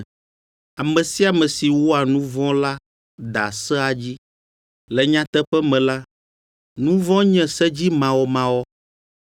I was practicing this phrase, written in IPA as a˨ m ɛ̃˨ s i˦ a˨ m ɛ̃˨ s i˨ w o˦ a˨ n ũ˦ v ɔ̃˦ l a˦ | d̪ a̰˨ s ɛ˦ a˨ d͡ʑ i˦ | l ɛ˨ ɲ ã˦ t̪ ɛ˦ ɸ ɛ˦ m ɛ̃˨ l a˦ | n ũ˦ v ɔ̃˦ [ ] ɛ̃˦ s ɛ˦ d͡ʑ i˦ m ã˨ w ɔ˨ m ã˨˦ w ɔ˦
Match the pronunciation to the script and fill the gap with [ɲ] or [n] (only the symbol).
ɲ